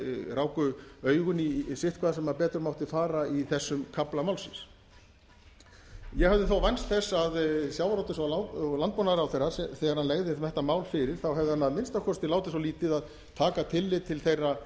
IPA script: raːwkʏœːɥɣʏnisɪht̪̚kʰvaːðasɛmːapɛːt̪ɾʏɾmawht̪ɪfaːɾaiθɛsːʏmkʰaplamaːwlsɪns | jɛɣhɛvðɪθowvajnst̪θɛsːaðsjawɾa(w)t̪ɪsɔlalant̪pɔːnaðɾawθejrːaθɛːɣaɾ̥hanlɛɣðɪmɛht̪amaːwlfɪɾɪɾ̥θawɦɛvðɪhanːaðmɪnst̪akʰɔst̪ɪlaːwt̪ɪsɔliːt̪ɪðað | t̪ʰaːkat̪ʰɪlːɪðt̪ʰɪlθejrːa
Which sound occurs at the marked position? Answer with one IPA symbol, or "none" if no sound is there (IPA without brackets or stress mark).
w